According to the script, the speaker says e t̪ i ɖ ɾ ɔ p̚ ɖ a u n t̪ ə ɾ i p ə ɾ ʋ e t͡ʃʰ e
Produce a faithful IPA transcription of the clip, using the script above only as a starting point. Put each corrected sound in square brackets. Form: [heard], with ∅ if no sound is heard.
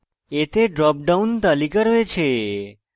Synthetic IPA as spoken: e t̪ [e] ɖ ɾ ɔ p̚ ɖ a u n t̪ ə [l] i [k] ə ɾ ʋ e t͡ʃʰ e